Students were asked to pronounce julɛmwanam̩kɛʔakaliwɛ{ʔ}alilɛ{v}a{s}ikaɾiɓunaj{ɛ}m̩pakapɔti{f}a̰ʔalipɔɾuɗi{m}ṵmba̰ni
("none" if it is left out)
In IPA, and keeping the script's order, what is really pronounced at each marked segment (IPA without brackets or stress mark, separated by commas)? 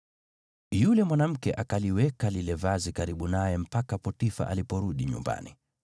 k, v, z, ɛ, f, ɲ